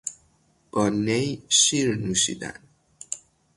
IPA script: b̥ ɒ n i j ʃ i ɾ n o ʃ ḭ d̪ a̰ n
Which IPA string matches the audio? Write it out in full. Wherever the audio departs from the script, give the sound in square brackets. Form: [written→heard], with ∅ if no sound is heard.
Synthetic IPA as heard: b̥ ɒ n [i→e] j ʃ i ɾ n [o→u] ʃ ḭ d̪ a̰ n